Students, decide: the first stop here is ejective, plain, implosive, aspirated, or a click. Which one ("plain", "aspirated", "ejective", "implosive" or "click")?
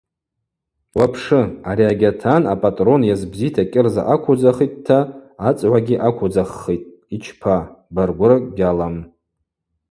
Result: aspirated